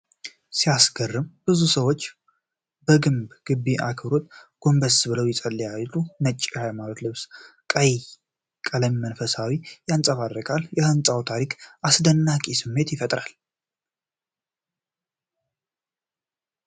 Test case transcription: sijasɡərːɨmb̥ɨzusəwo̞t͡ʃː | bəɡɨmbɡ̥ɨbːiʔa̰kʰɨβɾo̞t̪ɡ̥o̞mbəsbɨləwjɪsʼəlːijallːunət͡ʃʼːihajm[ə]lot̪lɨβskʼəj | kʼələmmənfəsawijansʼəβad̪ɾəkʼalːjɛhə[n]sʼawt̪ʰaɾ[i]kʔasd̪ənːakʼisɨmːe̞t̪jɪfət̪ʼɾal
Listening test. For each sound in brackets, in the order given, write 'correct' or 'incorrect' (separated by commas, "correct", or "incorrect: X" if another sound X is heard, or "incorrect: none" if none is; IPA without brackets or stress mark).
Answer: incorrect: a, correct, correct